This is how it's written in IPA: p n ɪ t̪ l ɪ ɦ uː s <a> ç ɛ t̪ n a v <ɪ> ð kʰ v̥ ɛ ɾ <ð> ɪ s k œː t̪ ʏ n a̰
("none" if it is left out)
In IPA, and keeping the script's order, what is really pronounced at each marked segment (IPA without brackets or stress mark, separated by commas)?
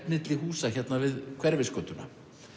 a, ɪ, v